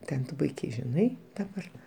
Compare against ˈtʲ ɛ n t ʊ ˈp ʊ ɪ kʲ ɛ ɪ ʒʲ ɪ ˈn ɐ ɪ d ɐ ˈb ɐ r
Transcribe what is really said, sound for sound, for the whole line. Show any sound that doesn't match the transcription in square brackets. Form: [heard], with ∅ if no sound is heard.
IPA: ˈtʲ ɛ n t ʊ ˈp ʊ ɪ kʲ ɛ ɪ ʒʲ ɪ ˈn ɐ ɪ d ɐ ˈb ɐ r